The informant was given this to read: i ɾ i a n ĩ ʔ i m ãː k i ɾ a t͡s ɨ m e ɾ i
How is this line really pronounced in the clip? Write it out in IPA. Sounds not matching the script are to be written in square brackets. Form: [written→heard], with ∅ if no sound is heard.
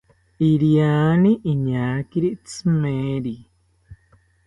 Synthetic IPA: i ɾ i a n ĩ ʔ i [m→ɲ] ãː k i ɾ [a→i] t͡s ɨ m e ɾ i